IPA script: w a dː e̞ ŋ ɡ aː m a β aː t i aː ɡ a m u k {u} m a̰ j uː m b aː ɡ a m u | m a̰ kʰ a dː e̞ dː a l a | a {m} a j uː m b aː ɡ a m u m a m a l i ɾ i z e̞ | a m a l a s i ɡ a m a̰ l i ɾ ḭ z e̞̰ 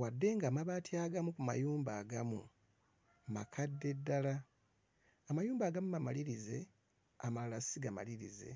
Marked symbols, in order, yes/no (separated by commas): yes, yes